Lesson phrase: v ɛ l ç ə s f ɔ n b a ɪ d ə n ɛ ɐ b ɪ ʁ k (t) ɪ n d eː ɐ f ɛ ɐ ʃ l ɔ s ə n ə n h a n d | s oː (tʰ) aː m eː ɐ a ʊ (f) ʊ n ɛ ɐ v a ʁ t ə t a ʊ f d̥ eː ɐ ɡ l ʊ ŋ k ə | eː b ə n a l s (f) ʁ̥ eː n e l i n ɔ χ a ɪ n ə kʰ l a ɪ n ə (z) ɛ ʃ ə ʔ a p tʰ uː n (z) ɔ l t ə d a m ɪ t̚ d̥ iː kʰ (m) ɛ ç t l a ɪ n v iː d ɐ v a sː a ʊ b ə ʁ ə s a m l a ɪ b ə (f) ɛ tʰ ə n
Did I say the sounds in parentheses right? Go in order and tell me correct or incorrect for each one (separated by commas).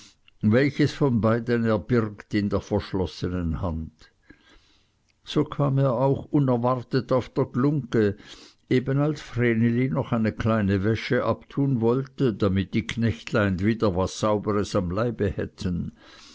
correct, incorrect, incorrect, correct, incorrect, incorrect, incorrect, incorrect